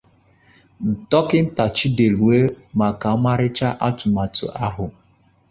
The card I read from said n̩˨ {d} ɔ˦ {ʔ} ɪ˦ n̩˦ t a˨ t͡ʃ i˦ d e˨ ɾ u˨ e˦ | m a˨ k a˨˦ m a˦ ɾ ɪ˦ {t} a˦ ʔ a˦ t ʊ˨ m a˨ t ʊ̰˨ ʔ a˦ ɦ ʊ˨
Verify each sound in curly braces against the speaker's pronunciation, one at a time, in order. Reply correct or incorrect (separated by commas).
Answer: incorrect, incorrect, incorrect